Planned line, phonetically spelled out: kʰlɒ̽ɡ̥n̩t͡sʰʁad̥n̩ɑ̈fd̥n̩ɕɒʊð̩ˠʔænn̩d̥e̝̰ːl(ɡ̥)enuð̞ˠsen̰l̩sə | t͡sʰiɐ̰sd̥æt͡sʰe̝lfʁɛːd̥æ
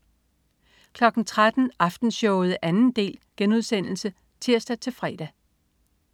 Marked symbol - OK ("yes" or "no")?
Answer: yes